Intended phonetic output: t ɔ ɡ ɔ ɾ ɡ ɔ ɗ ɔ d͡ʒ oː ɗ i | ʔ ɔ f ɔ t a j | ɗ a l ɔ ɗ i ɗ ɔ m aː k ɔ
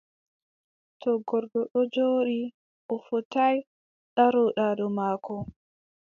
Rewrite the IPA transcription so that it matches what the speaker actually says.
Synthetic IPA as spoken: t ɔ ɡ ɔ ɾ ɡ ɔ ɗ ɔ d͡ʒ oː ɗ i | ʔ ɔ f ɔ t a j | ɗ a ɾ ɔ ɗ a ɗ ɔ m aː k ɔ